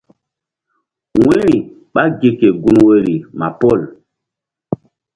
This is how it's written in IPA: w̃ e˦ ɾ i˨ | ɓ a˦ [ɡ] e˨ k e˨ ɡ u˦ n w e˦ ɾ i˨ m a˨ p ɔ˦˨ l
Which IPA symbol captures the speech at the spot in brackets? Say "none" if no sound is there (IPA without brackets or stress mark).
ɡ